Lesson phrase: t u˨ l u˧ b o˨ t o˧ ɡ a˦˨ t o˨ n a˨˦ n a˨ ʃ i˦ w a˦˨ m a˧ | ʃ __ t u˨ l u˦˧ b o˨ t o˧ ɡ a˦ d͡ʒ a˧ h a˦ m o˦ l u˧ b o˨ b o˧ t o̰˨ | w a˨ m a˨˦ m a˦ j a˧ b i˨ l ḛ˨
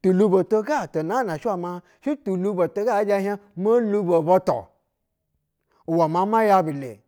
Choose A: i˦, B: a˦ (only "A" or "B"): A